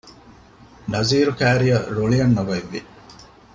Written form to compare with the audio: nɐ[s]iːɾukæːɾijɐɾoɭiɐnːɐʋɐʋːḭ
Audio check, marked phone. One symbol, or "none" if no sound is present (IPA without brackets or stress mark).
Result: z